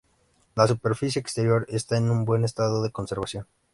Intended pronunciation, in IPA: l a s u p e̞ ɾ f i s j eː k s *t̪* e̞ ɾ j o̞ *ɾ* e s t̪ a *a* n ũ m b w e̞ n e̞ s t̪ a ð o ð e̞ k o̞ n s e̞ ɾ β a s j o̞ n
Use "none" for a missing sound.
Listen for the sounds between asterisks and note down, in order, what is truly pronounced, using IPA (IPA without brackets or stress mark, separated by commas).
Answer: t̪, ɾ, e